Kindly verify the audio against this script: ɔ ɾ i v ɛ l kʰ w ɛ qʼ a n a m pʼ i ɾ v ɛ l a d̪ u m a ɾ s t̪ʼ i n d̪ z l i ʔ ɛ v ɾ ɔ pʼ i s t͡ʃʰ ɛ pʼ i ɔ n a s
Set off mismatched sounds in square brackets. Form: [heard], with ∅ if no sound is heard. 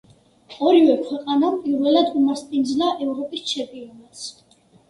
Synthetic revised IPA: ɔ ɾ i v ɛ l kʰ w ɛ qʼ a n a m pʼ i ɾ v ɛ l a d̪ u m a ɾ s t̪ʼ i n d̪ z l [a] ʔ ɛ v ɾ ɔ pʼ i s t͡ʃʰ ɛ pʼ i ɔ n a s

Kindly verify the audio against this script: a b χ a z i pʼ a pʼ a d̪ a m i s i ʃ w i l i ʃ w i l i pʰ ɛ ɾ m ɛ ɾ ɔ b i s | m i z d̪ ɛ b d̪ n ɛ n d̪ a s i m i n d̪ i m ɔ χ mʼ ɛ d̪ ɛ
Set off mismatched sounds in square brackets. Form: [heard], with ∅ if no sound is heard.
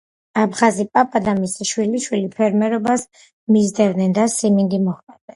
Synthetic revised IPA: a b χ a z i pʼ a pʼ a d̪ a m i s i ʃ w i l i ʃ w i l i pʰ ɛ ɾ m ɛ ɾ ɔ b [a] s | m i z d̪ ɛ [v] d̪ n ɛ n d̪ a s i m i n d̪ i m ɔ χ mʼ ɛ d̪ ɛ

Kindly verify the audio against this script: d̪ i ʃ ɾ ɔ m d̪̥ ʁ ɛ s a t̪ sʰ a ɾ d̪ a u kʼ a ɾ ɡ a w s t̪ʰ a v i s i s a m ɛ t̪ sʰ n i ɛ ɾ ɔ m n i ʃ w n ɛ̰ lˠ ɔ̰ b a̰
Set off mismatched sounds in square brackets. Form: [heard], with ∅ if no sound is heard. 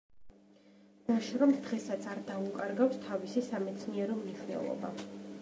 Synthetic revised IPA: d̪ [a] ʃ ɾ ɔ m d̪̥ ʁ ɛ s a t̪ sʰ a ɾ d̪ a u kʼ a ɾ ɡ a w s t̪ʰ a v i s i s a m ɛ t̪ sʰ n i ɛ ɾ ɔ m n i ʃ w n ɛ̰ lˠ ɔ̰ b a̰

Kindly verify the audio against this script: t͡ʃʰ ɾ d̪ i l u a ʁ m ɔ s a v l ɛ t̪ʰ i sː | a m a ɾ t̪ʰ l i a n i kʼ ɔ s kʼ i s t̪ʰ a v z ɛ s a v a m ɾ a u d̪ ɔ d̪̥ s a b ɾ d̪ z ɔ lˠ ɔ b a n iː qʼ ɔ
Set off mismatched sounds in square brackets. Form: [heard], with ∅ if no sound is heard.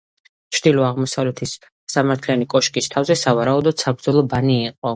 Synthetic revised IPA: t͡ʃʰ ɾ d̪ i l [ɔ] a ʁ m ɔ s a v l ɛ t̪ʰ i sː | a m a ɾ t̪ʰ l i a n i kʼ ɔ [ʃ] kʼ i s t̪ʰ a v z ɛ s a v a [∅] ɾ a u d̪ ɔ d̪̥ s a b ɾ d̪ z ɔ lˠ ɔ b a n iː qʼ ɔ

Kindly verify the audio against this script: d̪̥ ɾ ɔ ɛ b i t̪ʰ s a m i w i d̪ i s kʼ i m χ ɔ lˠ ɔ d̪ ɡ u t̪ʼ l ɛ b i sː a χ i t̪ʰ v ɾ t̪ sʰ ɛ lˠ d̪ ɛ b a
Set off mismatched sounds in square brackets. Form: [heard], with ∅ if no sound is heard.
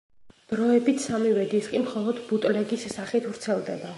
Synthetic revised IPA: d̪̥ ɾ ɔ ɛ b i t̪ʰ s a m i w [ɛ] d̪ i s kʼ i m χ ɔ lˠ ɔ d̪ [b] u t̪ʼ l ɛ [ɡ] i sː a χ i t̪ʰ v ɾ t̪ sʰ ɛ lˠ d̪ ɛ b a

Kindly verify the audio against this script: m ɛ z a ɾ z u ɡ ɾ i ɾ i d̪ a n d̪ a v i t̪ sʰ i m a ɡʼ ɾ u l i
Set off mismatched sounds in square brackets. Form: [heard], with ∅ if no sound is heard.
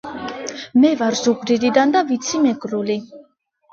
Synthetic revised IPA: m ɛ [v] a ɾ z u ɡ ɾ i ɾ i d̪ a n d̪ a v i t̪ sʰ i m [ɛ] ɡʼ ɾ u l i

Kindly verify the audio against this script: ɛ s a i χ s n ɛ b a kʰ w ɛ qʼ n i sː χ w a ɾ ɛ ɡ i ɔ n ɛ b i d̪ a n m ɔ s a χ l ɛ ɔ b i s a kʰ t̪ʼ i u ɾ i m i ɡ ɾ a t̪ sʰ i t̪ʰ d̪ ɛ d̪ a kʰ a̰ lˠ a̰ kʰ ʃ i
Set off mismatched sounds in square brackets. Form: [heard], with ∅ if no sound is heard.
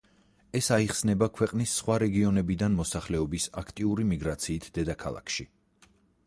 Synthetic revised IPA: ɛ s a i χ s n ɛ b a kʰ w ɛ qʼ n i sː χ w a ɾ ɛ ɡ i ɔ n ɛ b i d̪ a n m ɔ s a χ l ɛ ɔ b i s a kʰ t̪ʼ i u ɾ i m i ɡ ɾ a t̪ sʰ [iː] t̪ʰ d̪ ɛ d̪ a kʰ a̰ lˠ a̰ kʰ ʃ i

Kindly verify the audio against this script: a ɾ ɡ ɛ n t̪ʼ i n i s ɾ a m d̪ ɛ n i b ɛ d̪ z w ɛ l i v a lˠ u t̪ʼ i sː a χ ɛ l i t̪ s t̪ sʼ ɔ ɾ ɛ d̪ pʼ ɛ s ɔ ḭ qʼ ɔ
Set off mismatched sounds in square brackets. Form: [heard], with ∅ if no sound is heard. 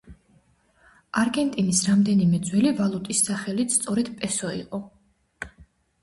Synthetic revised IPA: a ɾ ɡ ɛ n t̪ʼ i n i s ɾ a m d̪ ɛ n i [m] ɛ d̪ z w ɛ l i v a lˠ u t̪ʼ i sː a χ ɛ l i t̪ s t̪ sʼ ɔ ɾ ɛ d̪ pʼ ɛ s ɔ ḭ qʼ ɔ

